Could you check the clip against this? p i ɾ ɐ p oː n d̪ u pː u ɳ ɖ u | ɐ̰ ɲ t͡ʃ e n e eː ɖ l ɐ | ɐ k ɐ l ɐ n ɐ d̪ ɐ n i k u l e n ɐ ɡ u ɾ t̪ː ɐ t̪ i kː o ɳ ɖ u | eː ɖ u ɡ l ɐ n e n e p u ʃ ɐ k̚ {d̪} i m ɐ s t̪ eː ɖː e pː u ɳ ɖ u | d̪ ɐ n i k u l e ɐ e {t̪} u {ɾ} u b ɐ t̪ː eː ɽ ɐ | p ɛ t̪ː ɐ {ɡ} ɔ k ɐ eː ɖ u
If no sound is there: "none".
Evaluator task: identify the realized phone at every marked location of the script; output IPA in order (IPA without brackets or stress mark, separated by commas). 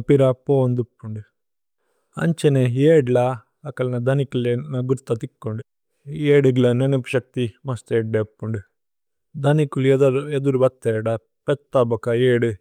t̪, d̪, ɾ, b